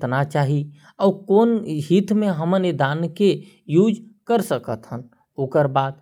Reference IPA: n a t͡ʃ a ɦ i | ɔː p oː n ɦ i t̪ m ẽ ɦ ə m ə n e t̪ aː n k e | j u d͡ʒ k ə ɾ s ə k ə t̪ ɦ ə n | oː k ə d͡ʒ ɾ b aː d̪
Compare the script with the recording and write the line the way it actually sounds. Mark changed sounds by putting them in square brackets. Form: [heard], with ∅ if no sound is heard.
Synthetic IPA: n a t͡ʃ a ɦ i | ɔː [k] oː n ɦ i t̪ m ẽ ɦ ə m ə n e [d̪] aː n k e | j u d͡ʒ k ə ɾ s ə k ə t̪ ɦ ə n | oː k ə [∅] ɾ b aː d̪